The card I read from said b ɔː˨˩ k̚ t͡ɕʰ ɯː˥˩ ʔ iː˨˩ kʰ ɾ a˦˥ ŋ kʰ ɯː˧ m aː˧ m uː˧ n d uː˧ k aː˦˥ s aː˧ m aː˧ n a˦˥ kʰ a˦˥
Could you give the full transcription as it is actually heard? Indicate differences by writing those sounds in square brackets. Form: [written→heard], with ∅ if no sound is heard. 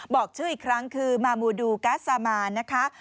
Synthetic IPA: b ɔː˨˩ k̚ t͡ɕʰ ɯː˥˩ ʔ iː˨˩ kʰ ɾ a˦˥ ŋ kʰ ɯː˧ m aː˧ m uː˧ [n→∅] d uː˧ k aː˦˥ s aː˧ m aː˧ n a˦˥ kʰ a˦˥